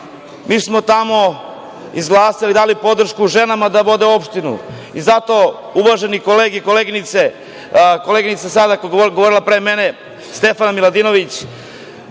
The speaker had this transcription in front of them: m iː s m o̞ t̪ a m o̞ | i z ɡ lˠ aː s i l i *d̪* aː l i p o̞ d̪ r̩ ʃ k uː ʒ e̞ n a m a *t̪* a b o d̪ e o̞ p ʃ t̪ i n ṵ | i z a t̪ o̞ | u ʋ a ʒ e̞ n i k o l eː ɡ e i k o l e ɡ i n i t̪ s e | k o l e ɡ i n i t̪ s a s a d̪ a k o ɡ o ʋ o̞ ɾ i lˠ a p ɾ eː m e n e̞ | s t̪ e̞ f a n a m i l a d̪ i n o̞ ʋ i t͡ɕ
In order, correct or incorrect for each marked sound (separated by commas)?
correct, incorrect